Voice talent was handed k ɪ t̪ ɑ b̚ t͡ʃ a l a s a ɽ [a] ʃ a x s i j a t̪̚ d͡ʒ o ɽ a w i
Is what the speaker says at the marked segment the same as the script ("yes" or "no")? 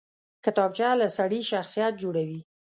no